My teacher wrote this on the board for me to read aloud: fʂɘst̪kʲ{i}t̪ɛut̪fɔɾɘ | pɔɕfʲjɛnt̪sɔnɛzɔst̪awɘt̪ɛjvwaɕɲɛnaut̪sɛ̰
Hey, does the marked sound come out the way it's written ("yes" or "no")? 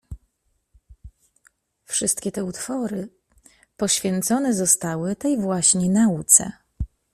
no